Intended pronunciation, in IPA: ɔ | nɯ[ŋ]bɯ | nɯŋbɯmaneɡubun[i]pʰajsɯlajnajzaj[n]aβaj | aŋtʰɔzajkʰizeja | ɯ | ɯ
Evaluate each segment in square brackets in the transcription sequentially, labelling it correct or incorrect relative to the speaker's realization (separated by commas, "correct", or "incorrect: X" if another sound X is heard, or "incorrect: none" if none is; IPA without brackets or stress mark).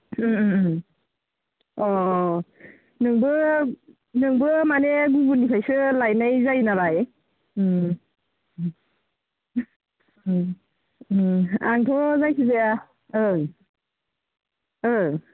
correct, correct, correct